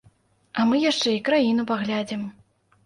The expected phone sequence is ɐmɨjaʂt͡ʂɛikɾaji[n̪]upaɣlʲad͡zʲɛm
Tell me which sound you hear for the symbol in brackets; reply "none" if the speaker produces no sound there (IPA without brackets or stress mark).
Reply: n̪